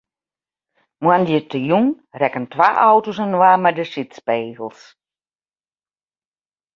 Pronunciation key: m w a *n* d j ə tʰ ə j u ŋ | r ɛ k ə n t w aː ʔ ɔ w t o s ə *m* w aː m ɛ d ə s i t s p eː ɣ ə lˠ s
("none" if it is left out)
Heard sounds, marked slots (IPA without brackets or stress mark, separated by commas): n, n